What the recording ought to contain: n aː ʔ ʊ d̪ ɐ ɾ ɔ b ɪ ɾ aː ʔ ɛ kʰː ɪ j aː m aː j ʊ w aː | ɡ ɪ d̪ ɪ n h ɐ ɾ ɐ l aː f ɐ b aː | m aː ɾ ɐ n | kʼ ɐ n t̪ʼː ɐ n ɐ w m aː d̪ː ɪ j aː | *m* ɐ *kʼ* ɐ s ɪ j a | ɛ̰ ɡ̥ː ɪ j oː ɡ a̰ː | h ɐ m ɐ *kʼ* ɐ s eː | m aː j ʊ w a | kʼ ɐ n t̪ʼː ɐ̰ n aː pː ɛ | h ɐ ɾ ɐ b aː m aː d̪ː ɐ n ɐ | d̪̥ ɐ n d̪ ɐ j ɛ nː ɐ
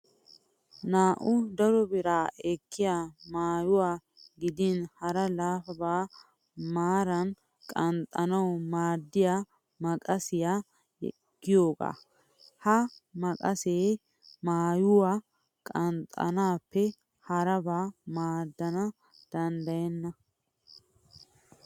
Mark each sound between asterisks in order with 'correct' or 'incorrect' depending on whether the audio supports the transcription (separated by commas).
correct, correct, correct